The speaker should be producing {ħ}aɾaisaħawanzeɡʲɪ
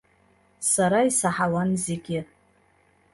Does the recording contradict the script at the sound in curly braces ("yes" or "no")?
yes